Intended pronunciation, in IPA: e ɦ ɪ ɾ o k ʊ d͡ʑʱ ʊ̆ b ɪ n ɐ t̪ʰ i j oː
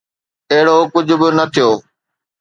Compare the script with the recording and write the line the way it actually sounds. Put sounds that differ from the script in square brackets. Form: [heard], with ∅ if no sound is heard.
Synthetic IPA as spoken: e ɦ ɪ [ɽ] o k ʊ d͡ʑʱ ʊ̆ b ɪ n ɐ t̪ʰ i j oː